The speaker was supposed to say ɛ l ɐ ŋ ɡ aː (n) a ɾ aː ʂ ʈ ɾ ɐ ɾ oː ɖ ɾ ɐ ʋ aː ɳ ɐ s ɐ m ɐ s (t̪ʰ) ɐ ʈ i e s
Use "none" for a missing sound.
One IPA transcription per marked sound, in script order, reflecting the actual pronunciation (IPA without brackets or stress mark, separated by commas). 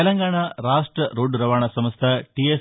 ɳ, t̪ʰ